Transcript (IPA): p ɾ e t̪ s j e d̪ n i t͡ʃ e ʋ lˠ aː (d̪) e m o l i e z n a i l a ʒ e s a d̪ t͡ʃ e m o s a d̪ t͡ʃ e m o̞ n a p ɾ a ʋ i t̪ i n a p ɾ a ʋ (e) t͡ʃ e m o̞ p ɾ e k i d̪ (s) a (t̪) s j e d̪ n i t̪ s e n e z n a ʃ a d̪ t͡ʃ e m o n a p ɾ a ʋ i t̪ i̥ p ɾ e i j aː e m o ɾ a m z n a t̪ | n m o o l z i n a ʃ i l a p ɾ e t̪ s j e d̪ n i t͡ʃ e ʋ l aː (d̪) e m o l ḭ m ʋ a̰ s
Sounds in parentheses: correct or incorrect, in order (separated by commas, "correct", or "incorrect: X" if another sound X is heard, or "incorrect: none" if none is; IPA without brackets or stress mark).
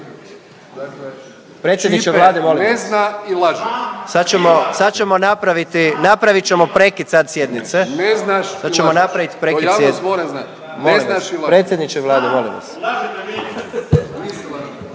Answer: correct, incorrect: i, correct, incorrect: d̪, correct